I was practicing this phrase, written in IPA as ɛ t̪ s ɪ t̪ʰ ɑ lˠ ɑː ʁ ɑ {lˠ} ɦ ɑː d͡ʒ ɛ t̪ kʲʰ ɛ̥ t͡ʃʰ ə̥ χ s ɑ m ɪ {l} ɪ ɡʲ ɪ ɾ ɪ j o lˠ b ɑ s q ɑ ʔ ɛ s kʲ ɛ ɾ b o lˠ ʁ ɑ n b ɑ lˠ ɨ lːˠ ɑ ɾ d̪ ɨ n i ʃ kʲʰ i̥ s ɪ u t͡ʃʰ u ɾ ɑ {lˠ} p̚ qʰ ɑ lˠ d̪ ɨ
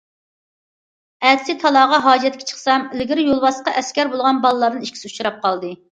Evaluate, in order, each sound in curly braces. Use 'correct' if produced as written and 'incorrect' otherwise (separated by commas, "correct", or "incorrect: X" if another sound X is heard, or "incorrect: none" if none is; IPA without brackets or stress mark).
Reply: incorrect: none, correct, incorrect: none